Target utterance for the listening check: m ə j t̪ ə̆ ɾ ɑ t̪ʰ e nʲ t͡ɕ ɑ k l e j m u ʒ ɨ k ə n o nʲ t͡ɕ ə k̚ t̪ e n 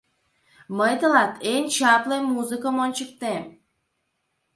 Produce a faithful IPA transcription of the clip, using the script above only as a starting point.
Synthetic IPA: m ə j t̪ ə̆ l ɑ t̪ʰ e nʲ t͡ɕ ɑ p l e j m u z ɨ k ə m o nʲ t͡ɕ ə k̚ t̪ e m